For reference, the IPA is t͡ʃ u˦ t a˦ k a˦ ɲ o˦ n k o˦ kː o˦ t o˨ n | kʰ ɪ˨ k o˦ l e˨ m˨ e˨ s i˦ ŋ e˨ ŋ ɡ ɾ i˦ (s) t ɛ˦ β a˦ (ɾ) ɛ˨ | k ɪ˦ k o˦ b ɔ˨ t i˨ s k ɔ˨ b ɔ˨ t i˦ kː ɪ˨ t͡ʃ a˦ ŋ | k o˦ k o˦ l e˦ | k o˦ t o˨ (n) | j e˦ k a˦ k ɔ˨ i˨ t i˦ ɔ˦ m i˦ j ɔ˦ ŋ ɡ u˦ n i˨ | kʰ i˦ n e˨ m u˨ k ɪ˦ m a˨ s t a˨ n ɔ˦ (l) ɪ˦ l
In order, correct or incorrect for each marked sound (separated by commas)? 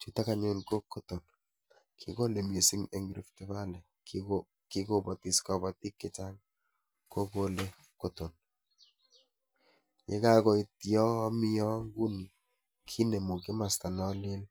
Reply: incorrect, incorrect, correct, correct